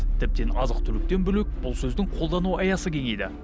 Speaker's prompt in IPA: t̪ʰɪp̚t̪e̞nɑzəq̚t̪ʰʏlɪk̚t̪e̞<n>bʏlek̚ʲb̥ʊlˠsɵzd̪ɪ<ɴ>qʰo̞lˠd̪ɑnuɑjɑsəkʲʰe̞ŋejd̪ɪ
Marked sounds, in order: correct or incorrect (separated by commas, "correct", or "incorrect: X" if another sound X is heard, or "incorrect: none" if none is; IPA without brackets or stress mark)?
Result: correct, incorrect: ŋ